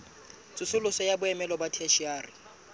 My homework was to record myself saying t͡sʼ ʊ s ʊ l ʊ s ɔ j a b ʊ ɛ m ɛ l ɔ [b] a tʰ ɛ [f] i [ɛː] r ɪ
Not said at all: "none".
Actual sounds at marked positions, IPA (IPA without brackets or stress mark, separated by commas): b, ʃ, aː